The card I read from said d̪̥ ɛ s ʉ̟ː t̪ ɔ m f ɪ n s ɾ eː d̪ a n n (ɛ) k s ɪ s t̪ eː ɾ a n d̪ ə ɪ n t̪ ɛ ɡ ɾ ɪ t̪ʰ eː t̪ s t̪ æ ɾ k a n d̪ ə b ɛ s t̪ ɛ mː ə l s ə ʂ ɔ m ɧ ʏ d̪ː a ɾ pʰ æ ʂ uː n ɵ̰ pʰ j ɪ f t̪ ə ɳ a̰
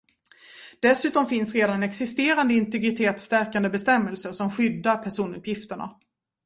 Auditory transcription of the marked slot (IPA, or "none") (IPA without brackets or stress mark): ɛ